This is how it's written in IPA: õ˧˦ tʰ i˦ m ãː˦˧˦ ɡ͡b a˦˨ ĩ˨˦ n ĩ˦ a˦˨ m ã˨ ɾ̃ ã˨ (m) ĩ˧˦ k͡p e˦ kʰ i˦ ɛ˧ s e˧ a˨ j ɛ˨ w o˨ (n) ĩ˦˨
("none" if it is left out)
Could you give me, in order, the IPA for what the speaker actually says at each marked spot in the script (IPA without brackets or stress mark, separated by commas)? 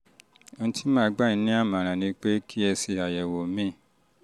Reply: n, m